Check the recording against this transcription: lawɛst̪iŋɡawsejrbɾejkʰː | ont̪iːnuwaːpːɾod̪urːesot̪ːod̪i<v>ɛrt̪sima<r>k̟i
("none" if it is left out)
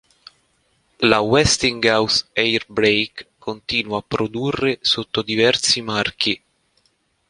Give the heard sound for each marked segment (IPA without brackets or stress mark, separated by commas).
v, r